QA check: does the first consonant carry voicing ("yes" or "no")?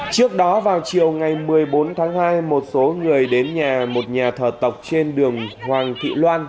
no